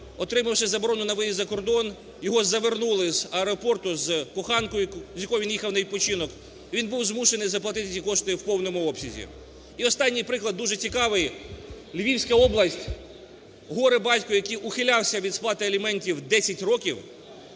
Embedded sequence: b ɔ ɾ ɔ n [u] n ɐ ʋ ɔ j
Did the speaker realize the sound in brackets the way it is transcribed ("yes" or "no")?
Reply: no